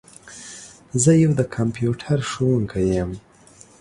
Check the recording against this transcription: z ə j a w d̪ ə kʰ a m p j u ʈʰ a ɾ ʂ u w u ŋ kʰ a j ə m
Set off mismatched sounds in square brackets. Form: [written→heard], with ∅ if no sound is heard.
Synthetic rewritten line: z ə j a w d̪ ə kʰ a m p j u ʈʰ a ɾ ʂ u w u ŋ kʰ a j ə m